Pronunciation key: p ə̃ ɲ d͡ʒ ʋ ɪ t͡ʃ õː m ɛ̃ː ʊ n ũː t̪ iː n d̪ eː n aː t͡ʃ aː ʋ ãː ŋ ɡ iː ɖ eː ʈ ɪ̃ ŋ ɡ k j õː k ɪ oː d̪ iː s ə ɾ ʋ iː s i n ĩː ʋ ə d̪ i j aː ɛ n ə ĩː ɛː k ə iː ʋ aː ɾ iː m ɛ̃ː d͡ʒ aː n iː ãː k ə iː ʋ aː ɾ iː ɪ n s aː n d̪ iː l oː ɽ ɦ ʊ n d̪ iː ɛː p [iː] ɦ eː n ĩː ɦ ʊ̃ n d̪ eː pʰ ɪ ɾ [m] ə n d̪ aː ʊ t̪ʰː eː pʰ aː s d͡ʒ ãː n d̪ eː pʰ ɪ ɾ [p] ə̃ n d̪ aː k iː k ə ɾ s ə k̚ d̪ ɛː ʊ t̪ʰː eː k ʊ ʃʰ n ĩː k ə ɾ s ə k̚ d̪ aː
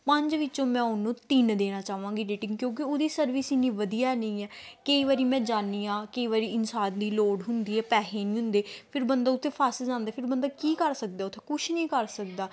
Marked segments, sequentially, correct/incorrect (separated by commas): incorrect, incorrect, incorrect